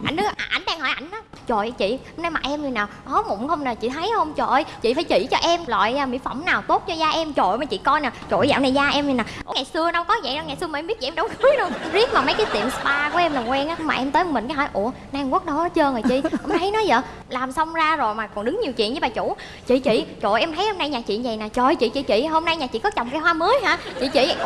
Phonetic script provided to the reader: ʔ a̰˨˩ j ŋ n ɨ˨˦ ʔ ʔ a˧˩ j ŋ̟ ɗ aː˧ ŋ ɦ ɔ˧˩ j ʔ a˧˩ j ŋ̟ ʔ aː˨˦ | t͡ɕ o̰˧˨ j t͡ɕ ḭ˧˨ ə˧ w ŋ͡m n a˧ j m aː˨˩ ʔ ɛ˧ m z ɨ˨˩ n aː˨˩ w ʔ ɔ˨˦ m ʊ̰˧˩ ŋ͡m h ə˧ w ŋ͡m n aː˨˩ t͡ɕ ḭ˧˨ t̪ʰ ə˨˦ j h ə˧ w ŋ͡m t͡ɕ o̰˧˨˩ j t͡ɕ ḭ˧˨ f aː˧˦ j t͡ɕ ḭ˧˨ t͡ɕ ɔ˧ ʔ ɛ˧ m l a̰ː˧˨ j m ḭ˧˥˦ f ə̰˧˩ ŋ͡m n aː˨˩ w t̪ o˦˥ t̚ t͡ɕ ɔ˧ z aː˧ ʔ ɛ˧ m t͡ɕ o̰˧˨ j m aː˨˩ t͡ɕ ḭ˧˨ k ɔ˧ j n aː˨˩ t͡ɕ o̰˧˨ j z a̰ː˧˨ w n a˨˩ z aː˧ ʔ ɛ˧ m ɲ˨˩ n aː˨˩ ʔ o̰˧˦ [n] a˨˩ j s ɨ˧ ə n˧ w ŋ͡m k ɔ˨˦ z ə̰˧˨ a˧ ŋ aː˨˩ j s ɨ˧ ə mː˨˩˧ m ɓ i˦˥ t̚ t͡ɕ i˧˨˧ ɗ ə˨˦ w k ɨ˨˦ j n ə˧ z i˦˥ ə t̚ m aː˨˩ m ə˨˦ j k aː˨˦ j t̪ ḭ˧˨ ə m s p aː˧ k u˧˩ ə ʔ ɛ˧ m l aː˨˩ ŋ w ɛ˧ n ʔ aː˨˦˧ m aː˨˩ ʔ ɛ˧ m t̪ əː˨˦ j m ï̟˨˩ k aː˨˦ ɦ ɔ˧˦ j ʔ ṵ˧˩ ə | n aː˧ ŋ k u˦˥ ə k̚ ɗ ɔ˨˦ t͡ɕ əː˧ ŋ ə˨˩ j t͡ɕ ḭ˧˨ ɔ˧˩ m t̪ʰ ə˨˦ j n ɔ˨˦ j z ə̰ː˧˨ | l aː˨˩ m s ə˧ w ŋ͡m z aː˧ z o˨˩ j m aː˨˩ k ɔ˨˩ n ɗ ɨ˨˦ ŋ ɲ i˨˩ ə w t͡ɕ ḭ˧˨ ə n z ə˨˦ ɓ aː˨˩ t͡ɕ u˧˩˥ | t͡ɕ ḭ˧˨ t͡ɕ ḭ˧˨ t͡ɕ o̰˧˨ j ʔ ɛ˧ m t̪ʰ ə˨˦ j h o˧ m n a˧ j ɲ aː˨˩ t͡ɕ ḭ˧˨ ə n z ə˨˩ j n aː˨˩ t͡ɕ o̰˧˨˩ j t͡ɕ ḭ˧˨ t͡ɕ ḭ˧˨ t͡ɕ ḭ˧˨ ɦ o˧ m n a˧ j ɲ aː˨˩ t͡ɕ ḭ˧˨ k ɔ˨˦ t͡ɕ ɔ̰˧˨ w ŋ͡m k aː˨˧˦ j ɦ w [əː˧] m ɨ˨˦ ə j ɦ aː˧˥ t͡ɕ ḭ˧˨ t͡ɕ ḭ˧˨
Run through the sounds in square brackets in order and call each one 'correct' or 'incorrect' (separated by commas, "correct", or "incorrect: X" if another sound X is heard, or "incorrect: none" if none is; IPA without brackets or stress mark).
incorrect: ŋ, incorrect: aː˧